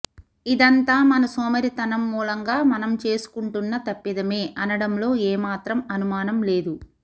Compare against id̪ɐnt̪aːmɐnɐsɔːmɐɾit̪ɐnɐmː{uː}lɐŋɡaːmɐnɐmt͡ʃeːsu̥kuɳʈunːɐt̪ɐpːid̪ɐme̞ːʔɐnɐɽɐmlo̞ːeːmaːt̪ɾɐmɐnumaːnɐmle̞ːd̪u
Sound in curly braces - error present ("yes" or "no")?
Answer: no